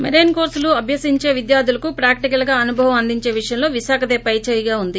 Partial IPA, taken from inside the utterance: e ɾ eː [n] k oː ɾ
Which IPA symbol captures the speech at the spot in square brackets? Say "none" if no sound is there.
n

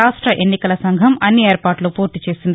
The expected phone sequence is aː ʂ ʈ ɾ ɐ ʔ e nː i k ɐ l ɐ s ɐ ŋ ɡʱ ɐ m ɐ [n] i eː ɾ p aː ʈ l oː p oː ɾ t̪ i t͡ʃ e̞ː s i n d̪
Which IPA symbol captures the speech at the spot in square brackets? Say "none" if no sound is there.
nː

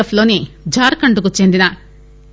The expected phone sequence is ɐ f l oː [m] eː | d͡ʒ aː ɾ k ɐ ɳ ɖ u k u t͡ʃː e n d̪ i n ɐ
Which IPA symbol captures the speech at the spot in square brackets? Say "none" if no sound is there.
n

